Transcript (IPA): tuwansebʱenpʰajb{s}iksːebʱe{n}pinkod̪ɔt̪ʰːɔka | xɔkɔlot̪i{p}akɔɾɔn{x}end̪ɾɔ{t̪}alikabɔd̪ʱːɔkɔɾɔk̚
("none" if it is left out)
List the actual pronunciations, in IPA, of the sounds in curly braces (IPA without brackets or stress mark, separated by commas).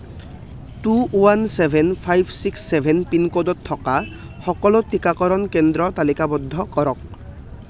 s, n, k, k, t̪